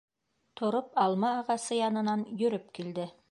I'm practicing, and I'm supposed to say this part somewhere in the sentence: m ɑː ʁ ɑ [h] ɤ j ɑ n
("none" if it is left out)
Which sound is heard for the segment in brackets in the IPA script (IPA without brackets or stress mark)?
s